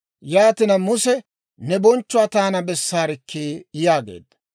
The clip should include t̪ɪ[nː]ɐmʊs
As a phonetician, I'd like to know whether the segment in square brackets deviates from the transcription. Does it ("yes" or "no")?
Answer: yes